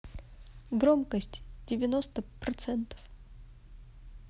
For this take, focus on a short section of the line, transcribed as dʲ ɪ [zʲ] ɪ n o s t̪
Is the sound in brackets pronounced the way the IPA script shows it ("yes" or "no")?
no